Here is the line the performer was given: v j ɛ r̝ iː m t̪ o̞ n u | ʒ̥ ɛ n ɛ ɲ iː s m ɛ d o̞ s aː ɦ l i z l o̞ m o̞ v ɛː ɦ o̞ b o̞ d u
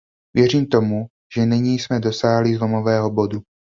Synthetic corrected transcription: v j ɛ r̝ iː m t̪ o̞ m u | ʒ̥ ɛ n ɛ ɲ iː s m ɛ d o̞ s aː ɦ l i z l o̞ m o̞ v ɛː ɦ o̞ b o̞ d u

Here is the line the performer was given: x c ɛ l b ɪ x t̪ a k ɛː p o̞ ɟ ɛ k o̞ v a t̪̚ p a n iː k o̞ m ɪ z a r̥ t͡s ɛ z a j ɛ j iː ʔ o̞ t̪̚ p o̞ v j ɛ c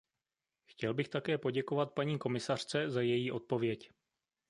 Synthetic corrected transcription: x c ɛ l b ɪ x t̪ a k ɛː p o̞ ɟ ɛ k o̞ v a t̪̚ p a ɲ iː k o̞ m ɪ s a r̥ t͡s ɛ z a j ɛ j iː ʔ o̞ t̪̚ p o̞ v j ɛ c

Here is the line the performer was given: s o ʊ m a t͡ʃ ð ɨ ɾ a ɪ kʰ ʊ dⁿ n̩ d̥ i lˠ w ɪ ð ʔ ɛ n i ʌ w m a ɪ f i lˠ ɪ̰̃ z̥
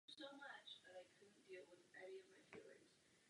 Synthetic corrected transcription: s o ʊ m ʌ t͡ʃ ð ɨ ɾ a ɪ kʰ ʊ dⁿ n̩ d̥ i lˠ w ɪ ð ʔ ɛ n i ʌ v m a ɪ f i lˠ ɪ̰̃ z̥

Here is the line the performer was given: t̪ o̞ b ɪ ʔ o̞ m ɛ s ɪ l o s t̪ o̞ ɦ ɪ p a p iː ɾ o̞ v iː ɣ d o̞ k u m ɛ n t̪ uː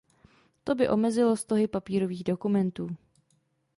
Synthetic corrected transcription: t̪ o̞ b ɪ ʔ o̞ m ɛ z ɪ l o s t̪ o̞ ɦ ɪ p a p iː ɾ o̞ v iː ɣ d o̞ k u m ɛ n t̪ uː

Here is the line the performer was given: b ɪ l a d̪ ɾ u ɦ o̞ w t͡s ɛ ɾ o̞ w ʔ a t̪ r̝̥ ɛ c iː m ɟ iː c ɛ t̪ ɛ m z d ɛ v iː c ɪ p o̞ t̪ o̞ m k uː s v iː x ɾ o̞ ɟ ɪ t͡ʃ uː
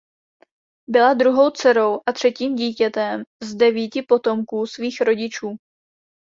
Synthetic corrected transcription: b ɪ l a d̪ ɾ u ɦ o̞ w t͡s ɛ ɾ o̞ w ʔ a t̪ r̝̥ ɛ c iː m ɟ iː c ɛ t̪ ɛ m z d ɛ v iː c ɪ p o̞ t̪ o̞ m k uː s v iː x ɾ o̞ ɟ ɪ t͡ʃ uː

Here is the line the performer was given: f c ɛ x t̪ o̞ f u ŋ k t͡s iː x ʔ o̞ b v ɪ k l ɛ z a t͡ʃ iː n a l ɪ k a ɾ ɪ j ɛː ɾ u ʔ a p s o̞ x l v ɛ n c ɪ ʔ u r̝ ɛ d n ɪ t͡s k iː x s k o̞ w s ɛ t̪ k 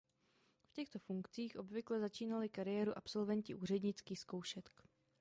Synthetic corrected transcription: f c ɛ x t̪ o̞ f u ŋ k t͡s iː x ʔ o̞ b v ɪ k l ɛ z a t͡ʃ iː n a l ɪ k a ɾ ɪ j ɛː ɾ u ʔ a p s o̞ l v ɛ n c ɪ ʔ uː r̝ ɛ d ɲ ɪ t͡s k iː x s k o̞ w ʃ ɛ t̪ k

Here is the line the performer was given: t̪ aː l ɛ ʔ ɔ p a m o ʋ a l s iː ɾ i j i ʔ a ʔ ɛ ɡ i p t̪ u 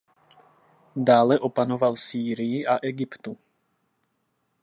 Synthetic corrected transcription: d̪ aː l ɛ ʔ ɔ p a n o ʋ a l s iː ɾ i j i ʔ a ʔ ɛ ɡ i p t̪ u

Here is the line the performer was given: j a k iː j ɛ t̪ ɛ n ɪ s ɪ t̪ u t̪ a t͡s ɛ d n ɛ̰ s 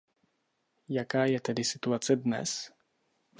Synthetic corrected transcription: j a k aː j ɛ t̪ ɛ d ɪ s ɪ t̪ u a t͡s ɛ d n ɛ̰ s

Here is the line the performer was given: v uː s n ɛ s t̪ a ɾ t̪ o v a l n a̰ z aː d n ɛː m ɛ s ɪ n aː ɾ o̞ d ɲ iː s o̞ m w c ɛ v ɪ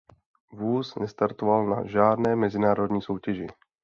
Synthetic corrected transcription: v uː s n ɛ s t̪ a ɾ t̪ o v a l n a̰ ʒ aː d n ɛː m ɛ z ɪ n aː ɾ o̞ d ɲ iː s o̞ w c ɛ ʒ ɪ

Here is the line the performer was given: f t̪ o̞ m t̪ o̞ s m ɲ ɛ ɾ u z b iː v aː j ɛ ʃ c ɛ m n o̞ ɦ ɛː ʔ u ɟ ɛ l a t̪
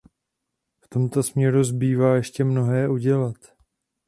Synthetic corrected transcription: f t̪ o̞ m t̪ o̞ s m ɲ ɛ ɾ u z b iː v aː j ɛ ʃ c ɛ m n o̞ ɦ ɛː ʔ u ɟ ɛ l a t̪

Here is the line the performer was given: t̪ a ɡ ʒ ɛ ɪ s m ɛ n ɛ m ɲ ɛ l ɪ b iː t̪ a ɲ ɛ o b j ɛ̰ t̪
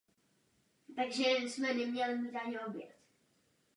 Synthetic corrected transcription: t̪ a ɡ ʒ ɛ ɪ s m ɛ n ɛ m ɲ ɛ l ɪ m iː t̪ a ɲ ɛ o b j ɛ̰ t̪

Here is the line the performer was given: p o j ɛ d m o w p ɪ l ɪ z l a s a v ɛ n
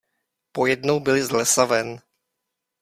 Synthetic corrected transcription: p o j ɛ d n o w b ɪ l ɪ z l ɛ s a v ɛ n

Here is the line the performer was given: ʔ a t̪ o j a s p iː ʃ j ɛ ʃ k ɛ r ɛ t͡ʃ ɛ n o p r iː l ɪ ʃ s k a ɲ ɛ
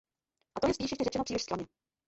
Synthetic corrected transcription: ʔ a t̪ o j ɛ s p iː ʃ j ɛ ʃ c ɛ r ɛ t͡ʃ ɛ n o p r iː l ɪ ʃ s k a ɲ ɛ

